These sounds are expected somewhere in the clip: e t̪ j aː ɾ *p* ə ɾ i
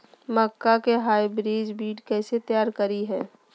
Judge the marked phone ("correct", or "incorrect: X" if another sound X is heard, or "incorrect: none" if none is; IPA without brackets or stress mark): incorrect: k